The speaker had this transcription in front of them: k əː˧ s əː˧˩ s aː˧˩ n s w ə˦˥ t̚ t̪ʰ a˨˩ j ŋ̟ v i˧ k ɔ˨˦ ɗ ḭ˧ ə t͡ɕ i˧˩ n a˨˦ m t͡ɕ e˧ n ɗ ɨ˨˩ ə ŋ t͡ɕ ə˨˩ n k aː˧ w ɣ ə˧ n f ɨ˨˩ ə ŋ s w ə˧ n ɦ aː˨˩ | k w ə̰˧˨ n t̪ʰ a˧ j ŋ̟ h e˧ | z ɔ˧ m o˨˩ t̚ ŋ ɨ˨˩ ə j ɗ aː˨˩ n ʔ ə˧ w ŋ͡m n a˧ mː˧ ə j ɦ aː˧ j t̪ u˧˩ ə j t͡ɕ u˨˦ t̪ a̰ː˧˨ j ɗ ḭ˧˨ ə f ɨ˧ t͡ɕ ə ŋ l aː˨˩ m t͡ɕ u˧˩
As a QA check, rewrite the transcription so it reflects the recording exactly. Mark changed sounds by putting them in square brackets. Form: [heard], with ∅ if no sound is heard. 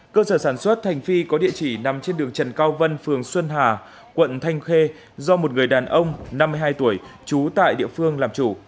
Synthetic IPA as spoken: k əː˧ s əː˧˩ s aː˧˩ n s w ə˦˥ t̚ t̪ʰ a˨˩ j ŋ̟ [f] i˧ k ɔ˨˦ ɗ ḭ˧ ə t͡ɕ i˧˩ n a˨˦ m t͡ɕ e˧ n ɗ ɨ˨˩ ə ŋ t͡ɕ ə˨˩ n k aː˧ w [v] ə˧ n f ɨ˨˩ ə ŋ s w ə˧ n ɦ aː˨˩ | k w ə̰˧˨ n t̪ʰ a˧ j ŋ̟ [x] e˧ | z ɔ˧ m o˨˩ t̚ ŋ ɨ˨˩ ə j ɗ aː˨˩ n ʔ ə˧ w ŋ͡m n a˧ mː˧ ə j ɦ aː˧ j t̪ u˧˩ ə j t͡ɕ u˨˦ t̪ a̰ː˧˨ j ɗ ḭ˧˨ ə f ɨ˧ [∅] ə ŋ l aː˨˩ m t͡ɕ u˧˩

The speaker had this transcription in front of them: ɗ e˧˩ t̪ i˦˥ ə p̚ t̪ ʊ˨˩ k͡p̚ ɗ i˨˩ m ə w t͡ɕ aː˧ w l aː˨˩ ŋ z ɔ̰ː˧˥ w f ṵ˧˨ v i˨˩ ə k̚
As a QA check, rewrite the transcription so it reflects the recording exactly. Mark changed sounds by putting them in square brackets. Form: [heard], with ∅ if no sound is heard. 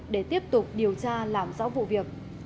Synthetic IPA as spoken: ɗ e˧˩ t̪ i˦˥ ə p̚ t̪ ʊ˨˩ k͡p̚ ɗ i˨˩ [∅] ə w t͡ɕ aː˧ [∅] l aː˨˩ [m] z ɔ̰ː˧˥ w [v] ṵ˧˨ v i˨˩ ə k̚

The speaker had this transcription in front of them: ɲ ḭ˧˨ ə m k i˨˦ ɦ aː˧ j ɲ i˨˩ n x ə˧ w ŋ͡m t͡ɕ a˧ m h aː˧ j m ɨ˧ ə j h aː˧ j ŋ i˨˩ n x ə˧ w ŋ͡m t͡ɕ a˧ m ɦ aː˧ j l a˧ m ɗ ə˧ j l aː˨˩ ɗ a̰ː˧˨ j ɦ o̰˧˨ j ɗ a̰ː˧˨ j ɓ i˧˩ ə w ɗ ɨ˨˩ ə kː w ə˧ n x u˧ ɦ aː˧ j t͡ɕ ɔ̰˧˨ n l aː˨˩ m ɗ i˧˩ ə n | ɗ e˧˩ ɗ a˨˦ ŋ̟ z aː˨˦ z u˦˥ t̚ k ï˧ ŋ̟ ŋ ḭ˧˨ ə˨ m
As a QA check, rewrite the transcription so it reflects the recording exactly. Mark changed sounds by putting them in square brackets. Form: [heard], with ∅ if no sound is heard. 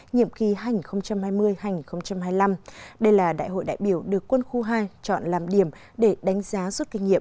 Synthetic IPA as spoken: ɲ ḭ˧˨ ə m [x] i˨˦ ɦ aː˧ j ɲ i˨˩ n x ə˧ w ŋ͡m t͡ɕ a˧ m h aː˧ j m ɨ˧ ə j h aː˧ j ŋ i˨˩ n x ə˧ w ŋ͡m t͡ɕ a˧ m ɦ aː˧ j l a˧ m ɗ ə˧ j l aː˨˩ ɗ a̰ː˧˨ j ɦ o̰˧˨ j ɗ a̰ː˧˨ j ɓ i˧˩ ə w ɗ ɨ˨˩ ə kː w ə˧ n x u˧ ɦ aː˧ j t͡ɕ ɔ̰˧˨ n l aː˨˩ m ɗ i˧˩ ə [m] | ɗ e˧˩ ɗ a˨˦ ŋ̟ z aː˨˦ z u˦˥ t̚ k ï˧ ŋ̟ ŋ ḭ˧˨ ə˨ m

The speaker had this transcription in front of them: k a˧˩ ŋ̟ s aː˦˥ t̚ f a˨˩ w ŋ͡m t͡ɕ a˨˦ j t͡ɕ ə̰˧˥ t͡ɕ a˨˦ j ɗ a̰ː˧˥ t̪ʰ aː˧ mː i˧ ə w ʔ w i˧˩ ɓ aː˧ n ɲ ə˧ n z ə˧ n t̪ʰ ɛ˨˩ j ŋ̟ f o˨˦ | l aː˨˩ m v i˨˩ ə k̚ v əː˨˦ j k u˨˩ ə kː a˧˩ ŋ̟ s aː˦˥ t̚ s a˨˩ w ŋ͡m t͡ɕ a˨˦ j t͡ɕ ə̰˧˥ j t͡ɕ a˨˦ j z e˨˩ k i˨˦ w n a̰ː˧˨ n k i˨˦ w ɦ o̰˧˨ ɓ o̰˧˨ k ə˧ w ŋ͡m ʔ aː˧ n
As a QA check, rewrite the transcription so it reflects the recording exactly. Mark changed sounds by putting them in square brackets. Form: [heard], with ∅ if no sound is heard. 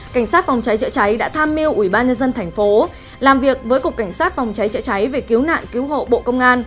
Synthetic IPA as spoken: k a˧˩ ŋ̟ s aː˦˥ t̚ f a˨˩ w ŋ͡m t͡ɕ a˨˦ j t͡ɕ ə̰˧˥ t͡ɕ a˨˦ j ɗ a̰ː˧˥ t̪ʰ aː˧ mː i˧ ə w ʔ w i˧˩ ɓ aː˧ n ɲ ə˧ n z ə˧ n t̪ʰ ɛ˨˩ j ŋ̟ f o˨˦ | l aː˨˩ m v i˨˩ ə k̚ v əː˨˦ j k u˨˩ ə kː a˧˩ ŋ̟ s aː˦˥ t̚ [f] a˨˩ w ŋ͡m t͡ɕ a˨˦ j t͡ɕ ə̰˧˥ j t͡ɕ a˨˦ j [v] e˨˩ k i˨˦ w n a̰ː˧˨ n k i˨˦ w ɦ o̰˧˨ ɓ o̰˧˨ k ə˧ w ŋ͡m ʔ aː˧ n

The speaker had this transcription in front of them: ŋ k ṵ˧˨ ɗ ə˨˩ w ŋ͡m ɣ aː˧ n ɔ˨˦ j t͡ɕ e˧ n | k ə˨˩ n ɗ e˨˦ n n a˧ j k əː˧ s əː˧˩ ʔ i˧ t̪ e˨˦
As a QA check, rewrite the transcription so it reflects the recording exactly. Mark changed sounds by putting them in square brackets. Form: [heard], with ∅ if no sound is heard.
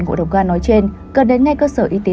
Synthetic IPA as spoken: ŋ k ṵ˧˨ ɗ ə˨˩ w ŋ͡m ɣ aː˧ n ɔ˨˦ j t͡ɕ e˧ n | k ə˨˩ n ɗ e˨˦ n [ŋ] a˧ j k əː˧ s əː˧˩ ʔ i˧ t̪ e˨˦

